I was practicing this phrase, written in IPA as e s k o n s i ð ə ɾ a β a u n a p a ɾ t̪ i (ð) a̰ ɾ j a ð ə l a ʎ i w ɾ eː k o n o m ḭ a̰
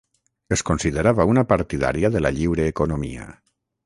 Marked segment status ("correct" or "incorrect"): correct